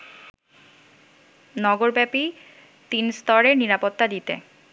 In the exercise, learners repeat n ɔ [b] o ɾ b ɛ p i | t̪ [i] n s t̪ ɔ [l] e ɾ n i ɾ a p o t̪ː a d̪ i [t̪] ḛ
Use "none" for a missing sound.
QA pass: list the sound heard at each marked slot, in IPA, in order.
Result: ɡ, i, ɾ, t̪

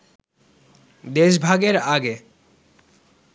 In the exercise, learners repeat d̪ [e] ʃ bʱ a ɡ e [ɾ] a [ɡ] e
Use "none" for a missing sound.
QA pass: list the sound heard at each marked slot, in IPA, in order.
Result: e, ɾ, ɡ

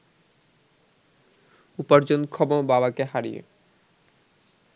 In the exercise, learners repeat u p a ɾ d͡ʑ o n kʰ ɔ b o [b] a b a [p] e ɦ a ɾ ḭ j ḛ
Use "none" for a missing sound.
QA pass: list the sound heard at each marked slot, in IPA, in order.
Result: b, k

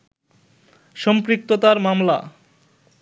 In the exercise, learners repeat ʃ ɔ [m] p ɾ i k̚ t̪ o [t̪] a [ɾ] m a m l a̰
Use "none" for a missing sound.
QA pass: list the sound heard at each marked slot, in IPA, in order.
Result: m, t̪, ɾ

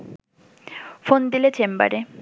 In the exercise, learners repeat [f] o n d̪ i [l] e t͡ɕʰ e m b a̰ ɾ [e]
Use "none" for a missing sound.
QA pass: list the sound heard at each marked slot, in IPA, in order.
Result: f, l, e

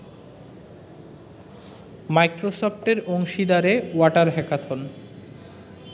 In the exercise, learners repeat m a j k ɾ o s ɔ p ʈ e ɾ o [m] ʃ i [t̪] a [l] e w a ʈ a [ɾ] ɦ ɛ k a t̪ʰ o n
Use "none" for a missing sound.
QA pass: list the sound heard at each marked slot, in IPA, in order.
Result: ŋ, d̪, ɾ, ɾ

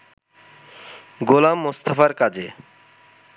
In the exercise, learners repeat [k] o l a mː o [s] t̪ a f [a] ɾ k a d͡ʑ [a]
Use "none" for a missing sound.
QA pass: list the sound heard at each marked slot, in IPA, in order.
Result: ɡ, s, a, e

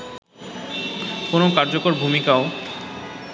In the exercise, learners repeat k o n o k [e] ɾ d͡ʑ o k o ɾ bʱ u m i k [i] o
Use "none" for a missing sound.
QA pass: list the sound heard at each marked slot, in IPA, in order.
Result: a, a

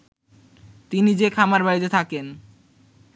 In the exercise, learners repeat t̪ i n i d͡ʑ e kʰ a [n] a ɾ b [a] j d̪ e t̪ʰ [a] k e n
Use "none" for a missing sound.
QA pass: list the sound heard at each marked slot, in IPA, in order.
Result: m, a, a

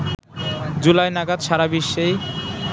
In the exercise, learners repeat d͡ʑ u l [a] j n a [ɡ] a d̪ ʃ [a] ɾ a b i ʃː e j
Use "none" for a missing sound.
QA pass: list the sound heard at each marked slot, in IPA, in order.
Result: a, ɡ, a

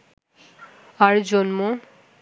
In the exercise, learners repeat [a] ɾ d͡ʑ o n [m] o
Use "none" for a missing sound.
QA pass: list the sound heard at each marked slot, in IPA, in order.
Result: a, m

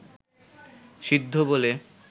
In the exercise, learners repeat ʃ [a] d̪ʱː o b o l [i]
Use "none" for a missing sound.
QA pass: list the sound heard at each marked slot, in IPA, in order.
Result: i, e

